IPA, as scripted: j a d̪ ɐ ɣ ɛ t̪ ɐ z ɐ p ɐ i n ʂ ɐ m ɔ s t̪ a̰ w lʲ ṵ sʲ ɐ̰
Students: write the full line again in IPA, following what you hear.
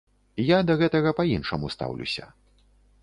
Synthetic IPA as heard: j a d̪ ɐ ɣ ɛ t̪ ɐ ɣ ɐ p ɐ i n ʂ ɐ m u s t̪ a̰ w lʲ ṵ sʲ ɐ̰